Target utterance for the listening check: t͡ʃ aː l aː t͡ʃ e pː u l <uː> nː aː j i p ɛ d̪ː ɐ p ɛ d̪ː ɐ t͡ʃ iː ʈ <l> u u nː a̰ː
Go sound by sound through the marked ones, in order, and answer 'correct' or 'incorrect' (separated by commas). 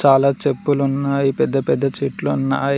incorrect, correct